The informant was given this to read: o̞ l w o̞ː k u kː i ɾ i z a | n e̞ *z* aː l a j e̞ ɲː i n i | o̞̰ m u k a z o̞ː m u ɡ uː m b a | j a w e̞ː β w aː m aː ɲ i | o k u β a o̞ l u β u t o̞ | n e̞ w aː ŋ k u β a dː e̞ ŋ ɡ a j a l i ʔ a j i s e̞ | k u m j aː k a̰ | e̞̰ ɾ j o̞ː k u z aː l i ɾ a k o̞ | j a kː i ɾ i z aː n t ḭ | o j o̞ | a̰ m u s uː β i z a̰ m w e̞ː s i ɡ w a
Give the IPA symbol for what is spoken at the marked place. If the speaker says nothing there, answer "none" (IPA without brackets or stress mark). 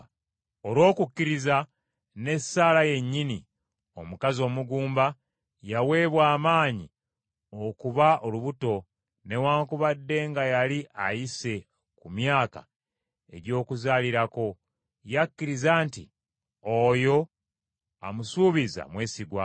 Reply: s